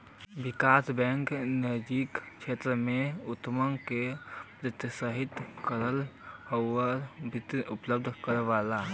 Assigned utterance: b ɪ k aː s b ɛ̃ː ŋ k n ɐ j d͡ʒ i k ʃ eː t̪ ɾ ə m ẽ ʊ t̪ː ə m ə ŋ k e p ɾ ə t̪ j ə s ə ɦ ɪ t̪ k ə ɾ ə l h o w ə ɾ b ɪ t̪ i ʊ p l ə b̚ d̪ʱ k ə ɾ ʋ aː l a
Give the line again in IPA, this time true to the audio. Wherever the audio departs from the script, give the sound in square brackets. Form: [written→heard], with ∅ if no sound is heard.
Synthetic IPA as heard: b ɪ k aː s b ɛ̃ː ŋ k n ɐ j d͡ʒ i k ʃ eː t̪ ɾ ə m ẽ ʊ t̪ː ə m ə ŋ k e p ɾ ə t̪ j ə s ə ɦ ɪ t̪ k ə ɾ ə l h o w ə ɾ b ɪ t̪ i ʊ p l ə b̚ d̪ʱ k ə ɾ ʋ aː l a